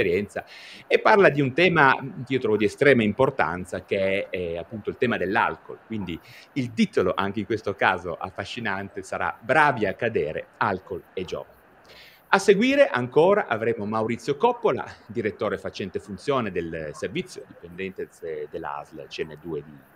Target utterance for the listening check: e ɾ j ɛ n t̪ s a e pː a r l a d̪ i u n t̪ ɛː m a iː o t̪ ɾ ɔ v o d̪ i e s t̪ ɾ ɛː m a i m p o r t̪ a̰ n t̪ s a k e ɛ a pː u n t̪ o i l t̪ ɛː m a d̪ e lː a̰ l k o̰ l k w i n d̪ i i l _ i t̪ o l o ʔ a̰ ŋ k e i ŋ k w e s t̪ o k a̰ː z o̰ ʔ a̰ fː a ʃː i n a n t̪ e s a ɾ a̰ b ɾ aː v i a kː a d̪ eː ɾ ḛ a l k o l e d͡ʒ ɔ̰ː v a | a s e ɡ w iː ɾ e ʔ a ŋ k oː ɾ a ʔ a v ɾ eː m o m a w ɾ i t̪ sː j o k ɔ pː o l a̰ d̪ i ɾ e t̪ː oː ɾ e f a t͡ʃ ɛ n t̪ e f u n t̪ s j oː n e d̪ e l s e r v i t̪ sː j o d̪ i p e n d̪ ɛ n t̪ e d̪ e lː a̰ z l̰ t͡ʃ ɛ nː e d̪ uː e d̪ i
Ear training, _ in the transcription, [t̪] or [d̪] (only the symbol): t̪